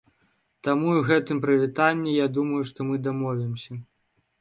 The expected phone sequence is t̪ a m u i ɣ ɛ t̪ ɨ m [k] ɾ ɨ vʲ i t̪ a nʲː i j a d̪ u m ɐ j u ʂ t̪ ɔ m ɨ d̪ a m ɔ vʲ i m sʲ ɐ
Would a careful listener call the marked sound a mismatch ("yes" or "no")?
yes